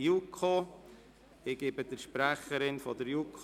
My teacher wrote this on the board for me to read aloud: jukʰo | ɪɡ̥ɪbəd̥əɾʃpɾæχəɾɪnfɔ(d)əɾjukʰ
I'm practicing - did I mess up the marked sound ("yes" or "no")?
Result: no